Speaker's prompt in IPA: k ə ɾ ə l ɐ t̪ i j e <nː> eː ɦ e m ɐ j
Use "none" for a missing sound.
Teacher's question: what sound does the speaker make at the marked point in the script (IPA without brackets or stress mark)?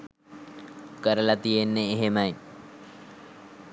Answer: nː